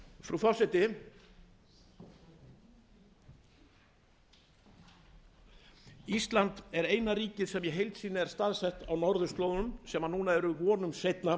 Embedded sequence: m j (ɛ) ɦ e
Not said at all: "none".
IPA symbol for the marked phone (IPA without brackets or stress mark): ɛ